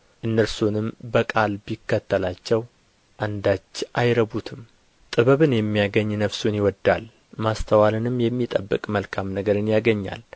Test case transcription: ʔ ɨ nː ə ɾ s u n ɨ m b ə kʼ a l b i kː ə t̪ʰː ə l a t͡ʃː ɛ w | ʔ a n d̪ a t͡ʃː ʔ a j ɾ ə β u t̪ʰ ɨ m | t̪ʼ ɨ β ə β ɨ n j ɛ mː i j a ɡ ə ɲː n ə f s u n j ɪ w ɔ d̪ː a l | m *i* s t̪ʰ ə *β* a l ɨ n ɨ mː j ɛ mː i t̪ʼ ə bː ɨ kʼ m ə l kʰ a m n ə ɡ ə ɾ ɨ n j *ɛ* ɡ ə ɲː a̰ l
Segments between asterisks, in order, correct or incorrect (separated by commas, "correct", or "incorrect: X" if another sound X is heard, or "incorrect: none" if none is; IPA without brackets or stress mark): incorrect: a, incorrect: w, incorrect: a